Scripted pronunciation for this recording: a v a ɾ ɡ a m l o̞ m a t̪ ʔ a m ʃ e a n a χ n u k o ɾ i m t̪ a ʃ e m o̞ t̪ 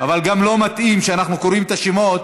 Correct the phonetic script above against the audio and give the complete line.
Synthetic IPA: a v a l ɡ a m l o̞ m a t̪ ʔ i m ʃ e a n a χ n u k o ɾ i m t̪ a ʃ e m o̞ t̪